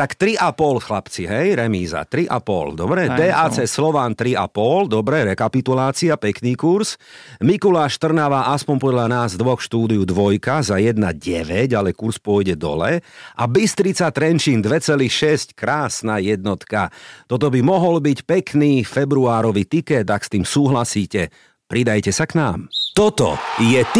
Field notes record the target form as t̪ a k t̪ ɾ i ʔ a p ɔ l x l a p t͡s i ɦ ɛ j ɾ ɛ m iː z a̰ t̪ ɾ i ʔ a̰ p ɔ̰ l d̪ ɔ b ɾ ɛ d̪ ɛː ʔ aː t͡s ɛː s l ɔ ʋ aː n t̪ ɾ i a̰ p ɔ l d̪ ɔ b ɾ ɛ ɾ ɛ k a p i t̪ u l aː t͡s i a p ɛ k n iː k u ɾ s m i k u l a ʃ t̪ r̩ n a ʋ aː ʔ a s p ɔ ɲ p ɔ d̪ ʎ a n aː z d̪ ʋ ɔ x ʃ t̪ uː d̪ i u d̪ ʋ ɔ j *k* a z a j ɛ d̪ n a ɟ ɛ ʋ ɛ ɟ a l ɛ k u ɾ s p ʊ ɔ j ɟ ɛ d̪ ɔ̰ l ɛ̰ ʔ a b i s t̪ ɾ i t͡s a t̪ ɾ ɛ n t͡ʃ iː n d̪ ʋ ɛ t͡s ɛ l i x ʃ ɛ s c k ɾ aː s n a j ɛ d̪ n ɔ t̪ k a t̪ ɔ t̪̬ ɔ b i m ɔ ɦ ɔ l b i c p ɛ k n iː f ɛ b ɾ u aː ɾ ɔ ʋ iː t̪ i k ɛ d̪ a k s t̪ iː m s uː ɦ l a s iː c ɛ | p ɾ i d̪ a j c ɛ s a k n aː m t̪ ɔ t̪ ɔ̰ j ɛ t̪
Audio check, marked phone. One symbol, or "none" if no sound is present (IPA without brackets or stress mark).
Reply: k